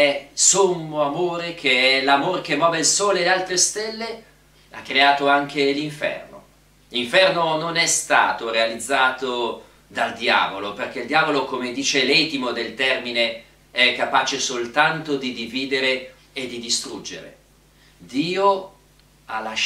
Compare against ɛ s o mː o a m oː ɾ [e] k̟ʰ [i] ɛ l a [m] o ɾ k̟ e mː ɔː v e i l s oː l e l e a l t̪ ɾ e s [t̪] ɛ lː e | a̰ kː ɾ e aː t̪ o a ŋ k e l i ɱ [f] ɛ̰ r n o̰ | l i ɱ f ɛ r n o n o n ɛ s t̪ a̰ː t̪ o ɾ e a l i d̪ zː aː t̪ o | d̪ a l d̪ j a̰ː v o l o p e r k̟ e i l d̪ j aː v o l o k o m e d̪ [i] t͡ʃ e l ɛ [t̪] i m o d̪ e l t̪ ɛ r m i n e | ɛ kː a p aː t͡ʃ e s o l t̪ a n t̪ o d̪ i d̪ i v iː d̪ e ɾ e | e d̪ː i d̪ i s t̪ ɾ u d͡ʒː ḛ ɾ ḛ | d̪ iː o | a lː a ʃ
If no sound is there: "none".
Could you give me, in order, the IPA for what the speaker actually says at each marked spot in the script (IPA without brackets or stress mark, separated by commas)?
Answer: e, e, m, t̪, f, iː, t̪